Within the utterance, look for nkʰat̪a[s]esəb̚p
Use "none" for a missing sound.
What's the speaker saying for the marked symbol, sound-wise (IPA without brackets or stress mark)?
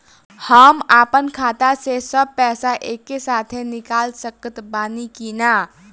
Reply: s